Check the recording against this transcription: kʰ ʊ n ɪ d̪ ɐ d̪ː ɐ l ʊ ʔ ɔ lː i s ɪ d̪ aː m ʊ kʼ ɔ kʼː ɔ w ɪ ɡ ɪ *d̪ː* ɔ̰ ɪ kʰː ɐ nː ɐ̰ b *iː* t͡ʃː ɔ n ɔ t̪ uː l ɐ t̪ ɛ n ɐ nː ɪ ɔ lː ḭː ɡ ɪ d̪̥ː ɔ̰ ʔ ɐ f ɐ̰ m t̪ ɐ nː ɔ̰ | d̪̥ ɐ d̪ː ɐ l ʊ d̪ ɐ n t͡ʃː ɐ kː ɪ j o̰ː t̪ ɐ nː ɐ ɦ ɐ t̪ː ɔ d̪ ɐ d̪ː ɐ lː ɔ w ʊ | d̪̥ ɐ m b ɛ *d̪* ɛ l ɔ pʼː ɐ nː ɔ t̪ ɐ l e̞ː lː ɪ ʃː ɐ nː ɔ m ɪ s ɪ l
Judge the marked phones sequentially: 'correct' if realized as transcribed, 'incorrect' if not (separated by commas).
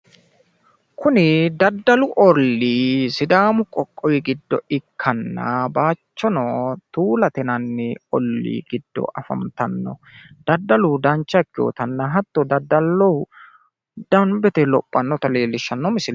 correct, incorrect, incorrect